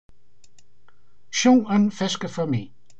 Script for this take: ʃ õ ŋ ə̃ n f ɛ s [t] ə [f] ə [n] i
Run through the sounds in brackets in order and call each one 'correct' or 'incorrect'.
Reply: incorrect: k, correct, incorrect: m

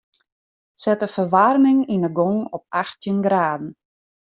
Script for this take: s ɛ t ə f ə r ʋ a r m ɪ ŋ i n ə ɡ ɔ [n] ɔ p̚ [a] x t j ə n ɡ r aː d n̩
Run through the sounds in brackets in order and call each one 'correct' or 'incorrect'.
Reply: incorrect: ŋ, correct

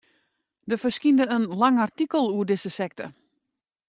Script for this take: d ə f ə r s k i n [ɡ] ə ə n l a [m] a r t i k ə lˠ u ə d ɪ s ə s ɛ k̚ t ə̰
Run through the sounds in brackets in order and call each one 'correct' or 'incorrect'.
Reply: incorrect: d, incorrect: ŋ

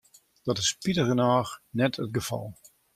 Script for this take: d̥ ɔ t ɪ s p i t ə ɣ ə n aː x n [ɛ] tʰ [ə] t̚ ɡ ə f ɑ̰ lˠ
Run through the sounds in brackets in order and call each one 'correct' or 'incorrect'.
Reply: correct, correct

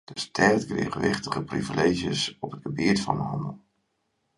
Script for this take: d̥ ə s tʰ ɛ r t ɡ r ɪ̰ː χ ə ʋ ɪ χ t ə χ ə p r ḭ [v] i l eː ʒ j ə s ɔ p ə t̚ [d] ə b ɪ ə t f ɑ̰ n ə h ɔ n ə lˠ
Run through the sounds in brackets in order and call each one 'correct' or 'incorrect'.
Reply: correct, incorrect: ɡ

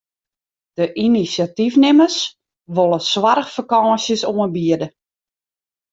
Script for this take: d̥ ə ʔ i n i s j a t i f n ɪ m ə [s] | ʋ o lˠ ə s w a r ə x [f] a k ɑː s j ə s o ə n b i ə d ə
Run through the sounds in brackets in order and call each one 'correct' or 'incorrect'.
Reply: correct, correct

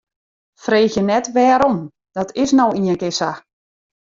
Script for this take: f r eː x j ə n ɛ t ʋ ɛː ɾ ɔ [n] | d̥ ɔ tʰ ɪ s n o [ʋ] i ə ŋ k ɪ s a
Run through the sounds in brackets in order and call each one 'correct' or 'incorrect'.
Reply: incorrect: m, incorrect: w

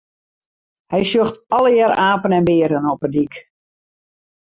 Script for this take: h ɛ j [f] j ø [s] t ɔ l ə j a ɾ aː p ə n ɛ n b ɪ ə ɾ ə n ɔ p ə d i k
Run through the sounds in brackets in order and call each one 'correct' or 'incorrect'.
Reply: incorrect: s, incorrect: x

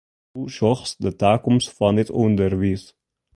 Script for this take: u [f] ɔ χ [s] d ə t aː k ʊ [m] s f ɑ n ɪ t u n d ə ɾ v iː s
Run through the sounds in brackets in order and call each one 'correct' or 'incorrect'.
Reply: incorrect: ʃ, correct, correct

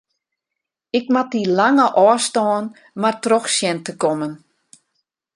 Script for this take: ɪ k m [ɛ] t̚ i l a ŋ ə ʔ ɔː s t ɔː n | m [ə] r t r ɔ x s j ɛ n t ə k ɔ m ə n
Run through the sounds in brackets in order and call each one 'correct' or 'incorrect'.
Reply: incorrect: a, incorrect: a

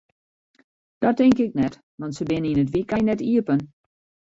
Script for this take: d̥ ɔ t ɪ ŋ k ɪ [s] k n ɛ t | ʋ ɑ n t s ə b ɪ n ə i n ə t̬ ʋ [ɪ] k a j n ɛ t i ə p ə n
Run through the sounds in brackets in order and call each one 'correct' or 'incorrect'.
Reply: incorrect: none, incorrect: i

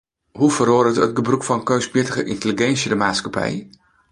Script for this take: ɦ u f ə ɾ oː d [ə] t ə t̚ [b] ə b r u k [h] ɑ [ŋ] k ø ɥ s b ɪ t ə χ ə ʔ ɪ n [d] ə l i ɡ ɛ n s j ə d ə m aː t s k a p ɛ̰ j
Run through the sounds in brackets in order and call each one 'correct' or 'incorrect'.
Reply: correct, incorrect: ɡ, incorrect: f, incorrect: n, incorrect: t

